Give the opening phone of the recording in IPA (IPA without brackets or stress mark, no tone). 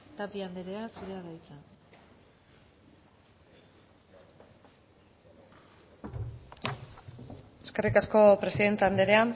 t̪